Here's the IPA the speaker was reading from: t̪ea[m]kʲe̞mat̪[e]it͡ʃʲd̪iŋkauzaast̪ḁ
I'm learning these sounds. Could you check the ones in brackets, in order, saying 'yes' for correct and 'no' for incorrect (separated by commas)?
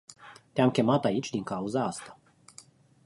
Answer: yes, no